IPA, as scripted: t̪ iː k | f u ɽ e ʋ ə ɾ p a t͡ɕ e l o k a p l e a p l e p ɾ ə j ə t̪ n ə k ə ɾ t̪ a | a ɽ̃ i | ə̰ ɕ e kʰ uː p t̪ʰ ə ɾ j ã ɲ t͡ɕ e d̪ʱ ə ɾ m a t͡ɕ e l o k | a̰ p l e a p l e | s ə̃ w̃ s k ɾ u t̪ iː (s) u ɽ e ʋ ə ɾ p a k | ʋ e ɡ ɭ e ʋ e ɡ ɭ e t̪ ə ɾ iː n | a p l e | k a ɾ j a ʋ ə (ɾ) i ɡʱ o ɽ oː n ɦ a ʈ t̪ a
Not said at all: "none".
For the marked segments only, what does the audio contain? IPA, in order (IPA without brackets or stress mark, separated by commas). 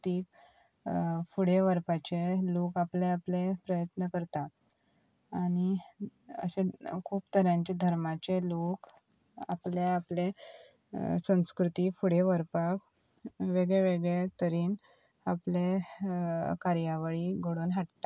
f, ɭ